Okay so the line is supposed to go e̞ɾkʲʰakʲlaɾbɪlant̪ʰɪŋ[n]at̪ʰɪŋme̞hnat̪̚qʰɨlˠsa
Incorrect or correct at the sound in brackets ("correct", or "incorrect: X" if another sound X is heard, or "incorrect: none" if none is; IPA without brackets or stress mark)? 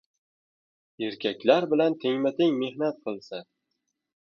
incorrect: m